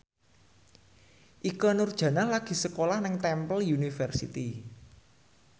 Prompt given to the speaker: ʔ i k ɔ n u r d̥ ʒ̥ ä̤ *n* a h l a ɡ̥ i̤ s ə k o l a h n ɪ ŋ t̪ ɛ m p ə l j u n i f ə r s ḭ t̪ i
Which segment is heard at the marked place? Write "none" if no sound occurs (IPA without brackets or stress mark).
n